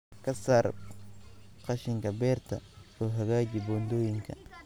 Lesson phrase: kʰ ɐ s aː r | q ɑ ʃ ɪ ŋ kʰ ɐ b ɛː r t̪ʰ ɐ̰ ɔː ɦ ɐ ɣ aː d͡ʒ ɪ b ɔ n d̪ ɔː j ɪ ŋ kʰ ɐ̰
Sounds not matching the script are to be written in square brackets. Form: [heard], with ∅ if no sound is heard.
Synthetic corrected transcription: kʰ ɐ s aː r | q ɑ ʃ ɪ ŋ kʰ ɐ b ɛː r t̪ʰ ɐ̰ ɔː ɦ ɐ ɣ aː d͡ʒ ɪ b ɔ n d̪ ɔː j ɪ ŋ kʰ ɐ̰